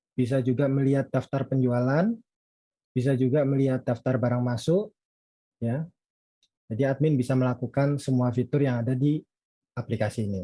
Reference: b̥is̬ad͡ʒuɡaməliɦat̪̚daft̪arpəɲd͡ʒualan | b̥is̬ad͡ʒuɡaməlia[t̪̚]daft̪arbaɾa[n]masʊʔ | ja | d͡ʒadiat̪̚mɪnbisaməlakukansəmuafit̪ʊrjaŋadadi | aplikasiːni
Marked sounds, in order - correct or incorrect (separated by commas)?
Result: correct, incorrect